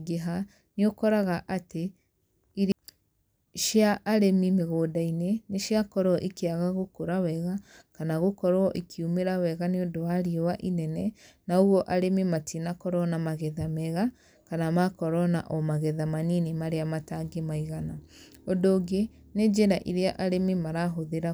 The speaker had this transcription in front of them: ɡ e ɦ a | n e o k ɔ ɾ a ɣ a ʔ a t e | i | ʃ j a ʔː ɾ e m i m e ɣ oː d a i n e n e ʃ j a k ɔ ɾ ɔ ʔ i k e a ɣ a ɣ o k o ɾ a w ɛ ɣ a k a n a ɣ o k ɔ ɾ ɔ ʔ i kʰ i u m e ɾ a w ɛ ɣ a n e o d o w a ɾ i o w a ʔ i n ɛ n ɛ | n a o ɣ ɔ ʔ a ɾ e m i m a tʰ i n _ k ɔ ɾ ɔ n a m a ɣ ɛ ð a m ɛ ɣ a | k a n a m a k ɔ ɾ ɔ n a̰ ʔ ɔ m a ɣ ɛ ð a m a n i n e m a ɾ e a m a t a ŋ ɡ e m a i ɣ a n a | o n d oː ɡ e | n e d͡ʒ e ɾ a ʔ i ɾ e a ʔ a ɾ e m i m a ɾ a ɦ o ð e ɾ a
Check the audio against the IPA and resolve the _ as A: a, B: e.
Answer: A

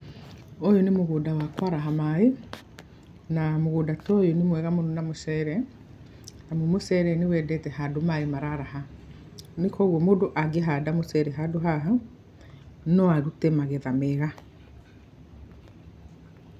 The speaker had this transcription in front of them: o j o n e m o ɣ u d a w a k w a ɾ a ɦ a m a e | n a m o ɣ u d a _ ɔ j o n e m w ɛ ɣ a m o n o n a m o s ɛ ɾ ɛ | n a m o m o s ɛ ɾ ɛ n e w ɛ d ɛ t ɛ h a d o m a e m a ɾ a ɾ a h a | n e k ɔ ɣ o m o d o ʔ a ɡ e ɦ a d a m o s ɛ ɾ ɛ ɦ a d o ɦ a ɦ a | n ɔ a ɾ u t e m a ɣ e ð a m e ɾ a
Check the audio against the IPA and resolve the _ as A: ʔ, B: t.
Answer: B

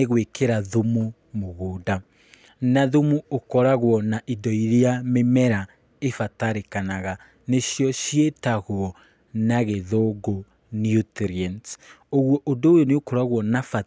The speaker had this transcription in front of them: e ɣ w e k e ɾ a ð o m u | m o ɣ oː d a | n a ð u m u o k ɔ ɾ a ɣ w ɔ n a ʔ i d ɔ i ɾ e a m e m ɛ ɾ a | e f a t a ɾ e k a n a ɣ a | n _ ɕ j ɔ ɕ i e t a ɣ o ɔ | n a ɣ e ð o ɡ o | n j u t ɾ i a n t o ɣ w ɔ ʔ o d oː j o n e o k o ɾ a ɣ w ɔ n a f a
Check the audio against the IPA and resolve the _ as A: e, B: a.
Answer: A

